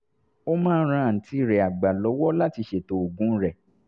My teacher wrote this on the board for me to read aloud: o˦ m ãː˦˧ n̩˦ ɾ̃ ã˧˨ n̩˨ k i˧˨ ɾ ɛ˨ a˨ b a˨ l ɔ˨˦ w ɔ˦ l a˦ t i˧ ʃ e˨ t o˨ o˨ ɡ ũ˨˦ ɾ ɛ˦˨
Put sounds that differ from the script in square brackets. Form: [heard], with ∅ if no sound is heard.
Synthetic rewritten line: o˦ m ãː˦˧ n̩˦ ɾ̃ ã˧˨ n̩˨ [t] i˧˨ ɾ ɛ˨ a˨ [ɡ͡b] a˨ l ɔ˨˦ w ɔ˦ l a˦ t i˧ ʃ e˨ t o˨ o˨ ɡ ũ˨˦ ɾ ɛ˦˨